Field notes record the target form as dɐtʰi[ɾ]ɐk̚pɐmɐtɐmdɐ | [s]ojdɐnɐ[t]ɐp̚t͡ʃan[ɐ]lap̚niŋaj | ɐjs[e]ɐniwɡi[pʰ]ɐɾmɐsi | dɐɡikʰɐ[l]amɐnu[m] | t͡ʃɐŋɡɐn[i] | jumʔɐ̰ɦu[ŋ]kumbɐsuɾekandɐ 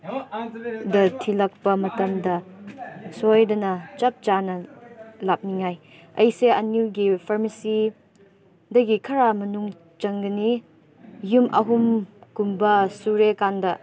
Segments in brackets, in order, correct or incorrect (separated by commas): incorrect, correct, incorrect, correct, correct, correct, incorrect, incorrect, correct, incorrect